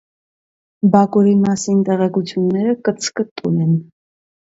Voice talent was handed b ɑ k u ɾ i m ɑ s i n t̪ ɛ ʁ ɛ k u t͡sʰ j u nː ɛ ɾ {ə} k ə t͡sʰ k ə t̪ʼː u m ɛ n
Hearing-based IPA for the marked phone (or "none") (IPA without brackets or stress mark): ə